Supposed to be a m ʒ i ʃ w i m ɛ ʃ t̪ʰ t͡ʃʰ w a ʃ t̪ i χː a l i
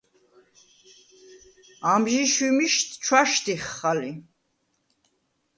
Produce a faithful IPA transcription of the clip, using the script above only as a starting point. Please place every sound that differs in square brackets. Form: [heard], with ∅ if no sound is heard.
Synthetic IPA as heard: a m ʒ i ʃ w i m [i] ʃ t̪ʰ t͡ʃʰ w a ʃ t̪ i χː a l i